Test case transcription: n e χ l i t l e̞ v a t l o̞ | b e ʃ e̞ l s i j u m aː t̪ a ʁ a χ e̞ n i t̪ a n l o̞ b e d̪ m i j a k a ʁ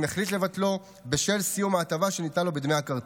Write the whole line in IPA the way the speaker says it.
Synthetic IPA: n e χ l i t l e̞ v a t l o̞ | b e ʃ e̞ l s i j u m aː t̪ a v a ʃ e̞ n i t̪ a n l o̞ b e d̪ m e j a k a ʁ